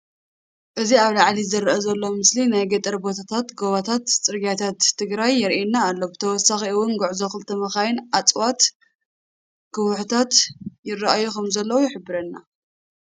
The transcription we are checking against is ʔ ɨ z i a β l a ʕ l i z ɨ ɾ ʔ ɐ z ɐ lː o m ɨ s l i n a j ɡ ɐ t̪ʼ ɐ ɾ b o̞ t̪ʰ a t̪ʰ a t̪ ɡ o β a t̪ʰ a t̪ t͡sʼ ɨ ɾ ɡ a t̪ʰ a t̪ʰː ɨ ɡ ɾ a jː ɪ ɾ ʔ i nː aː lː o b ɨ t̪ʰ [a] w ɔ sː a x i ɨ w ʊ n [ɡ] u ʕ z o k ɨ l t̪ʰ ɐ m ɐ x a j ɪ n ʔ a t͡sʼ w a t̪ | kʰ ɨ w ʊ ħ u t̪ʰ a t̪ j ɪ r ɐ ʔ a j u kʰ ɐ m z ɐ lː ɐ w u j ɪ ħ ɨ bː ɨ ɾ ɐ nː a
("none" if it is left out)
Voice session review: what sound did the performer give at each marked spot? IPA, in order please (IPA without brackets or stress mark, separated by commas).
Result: ɐ, ɡ